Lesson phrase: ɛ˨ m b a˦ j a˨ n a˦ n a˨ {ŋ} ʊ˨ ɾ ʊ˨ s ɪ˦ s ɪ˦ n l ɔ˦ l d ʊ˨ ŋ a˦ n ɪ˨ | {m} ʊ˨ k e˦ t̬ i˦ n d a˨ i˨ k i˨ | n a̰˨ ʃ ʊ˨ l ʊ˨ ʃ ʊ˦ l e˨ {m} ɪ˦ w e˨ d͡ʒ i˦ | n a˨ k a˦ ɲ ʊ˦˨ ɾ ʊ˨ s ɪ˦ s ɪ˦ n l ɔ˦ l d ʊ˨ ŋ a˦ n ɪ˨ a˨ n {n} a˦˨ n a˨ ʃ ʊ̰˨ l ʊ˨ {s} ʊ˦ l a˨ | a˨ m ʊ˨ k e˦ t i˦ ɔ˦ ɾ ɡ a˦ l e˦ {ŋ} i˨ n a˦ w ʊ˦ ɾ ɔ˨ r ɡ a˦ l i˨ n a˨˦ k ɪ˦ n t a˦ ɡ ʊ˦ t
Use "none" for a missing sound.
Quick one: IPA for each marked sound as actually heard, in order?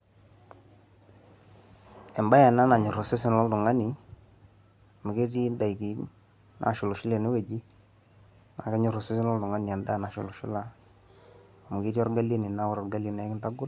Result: ɲ, m, n, d, ʃ, n

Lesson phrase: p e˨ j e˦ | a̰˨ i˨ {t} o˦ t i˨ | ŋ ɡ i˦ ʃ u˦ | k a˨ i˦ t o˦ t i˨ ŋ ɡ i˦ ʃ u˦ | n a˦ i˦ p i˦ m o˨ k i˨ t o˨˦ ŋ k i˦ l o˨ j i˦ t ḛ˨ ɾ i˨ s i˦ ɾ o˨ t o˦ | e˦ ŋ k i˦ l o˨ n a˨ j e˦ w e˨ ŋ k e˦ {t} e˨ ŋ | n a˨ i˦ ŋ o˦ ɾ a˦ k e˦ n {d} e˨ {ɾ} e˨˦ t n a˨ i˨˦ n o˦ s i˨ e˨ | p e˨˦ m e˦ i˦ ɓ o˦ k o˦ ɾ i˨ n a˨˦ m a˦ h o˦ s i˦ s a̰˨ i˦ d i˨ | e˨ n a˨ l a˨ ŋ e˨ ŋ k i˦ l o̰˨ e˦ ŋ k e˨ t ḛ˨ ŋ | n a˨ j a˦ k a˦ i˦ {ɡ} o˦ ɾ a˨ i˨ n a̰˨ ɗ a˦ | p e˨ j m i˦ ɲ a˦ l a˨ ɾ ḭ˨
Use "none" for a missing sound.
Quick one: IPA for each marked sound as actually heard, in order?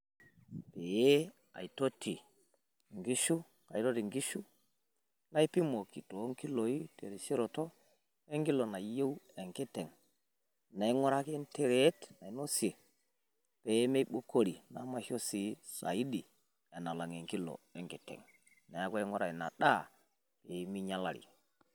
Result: t, t, t, ɾ, ŋ

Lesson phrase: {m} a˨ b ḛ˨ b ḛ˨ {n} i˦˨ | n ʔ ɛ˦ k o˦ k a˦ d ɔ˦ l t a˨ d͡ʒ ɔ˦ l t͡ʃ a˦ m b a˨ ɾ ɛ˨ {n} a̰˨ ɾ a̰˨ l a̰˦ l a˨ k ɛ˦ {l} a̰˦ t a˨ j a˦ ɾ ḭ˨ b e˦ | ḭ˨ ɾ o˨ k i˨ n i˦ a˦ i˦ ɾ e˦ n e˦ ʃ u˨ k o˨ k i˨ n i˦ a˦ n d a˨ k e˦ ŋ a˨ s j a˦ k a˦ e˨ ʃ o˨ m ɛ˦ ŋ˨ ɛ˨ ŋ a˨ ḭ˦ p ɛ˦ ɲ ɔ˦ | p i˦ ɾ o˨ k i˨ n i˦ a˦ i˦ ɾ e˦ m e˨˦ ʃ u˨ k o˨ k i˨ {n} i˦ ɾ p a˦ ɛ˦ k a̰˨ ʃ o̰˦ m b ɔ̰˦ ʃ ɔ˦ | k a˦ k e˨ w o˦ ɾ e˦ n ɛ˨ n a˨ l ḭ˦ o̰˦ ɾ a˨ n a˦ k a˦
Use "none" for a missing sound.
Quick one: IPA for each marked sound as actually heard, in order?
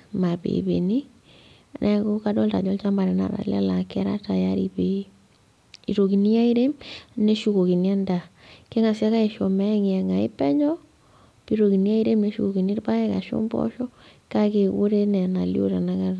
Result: m, n, n, ɾ, n

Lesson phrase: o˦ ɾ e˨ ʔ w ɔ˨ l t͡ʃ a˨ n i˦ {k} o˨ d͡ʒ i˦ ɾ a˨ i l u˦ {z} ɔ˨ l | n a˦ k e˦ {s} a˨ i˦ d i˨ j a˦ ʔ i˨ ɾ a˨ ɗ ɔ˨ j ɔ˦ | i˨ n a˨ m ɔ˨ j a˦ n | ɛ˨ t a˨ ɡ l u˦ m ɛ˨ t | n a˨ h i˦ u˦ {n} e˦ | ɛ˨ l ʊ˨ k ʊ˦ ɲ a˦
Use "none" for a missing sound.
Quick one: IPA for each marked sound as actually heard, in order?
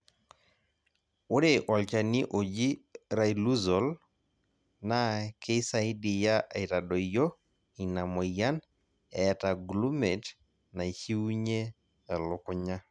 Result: ʔ, z, s, ɲ

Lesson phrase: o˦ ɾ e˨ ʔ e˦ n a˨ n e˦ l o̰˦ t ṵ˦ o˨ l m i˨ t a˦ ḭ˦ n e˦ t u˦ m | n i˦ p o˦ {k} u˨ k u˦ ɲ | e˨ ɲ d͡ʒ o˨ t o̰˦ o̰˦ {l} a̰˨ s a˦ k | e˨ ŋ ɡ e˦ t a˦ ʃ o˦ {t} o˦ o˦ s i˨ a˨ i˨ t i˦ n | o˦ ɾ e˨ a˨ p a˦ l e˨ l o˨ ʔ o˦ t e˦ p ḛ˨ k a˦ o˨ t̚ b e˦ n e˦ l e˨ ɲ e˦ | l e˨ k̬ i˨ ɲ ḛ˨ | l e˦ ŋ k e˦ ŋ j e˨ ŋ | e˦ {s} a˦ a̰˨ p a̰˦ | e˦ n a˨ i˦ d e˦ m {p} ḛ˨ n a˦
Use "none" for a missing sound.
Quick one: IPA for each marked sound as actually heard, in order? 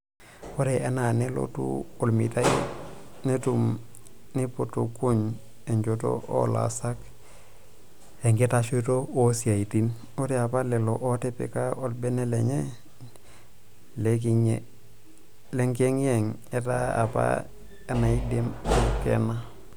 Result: t, l, t, t, k

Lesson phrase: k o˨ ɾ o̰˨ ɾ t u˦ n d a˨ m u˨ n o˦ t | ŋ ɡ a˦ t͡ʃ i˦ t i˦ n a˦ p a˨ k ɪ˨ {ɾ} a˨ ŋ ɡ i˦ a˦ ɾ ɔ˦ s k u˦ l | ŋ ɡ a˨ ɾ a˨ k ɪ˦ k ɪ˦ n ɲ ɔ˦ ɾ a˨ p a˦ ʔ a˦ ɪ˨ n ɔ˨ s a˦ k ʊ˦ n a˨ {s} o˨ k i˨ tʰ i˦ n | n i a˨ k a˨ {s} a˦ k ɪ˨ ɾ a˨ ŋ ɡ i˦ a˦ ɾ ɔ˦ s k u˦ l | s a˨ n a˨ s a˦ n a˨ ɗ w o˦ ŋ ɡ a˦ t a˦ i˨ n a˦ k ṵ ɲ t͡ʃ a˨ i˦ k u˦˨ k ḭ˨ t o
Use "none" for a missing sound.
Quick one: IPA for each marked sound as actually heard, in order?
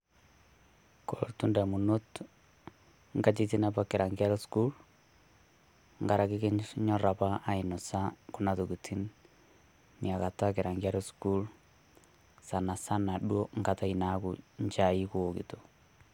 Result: ɾ, t, t

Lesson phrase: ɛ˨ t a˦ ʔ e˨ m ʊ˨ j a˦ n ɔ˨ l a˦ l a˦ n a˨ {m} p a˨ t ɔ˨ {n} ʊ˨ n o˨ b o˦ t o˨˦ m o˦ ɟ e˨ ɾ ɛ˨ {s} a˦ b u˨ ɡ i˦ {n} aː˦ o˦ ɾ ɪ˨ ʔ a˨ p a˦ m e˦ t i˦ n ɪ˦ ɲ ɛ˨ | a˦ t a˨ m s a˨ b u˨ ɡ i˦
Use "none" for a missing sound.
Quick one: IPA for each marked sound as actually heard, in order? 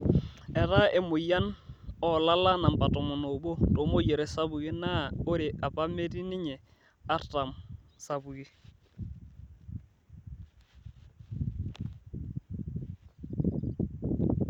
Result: m, m, s, n

